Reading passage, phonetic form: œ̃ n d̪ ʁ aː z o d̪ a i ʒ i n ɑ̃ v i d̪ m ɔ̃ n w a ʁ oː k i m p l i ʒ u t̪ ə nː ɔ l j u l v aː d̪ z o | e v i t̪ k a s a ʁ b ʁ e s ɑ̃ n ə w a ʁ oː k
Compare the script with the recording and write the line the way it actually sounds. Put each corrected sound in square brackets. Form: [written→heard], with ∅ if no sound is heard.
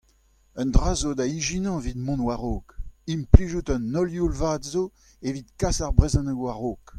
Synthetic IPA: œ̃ n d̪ ʁ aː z o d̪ a i ʒ i n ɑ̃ v i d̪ m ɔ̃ n w a ʁ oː k i m p l i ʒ u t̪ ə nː ɔ l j u l v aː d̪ z o | e v i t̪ k a s a ʁ b ʁ e [s→z] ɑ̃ n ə w a ʁ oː k